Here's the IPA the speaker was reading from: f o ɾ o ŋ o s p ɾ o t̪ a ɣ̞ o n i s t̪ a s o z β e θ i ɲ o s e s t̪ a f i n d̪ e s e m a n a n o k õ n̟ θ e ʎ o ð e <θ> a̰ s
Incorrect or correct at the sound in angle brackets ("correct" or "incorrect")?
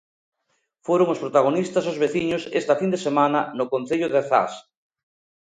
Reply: correct